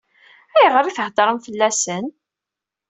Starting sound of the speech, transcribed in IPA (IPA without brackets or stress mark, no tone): æ